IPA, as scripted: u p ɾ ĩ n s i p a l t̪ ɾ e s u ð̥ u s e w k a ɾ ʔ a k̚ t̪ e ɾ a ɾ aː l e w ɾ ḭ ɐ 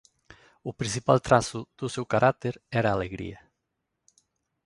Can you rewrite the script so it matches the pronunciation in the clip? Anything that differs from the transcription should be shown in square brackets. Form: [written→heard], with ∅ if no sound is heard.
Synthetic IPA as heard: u p ɾ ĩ n s i p a l t̪ ɾ [e→a] s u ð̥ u s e w k a ɾ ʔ a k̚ t̪ e ɾ [a→ɛ] ɾ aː l e [w→ɣ] ɾ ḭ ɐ